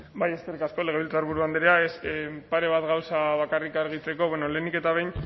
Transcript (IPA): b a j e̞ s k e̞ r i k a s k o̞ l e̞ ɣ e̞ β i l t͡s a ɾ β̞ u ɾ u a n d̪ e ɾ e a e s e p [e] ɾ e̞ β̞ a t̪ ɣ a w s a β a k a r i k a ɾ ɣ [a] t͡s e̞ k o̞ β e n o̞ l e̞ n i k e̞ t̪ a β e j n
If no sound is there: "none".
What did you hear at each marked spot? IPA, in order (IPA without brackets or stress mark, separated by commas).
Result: a, i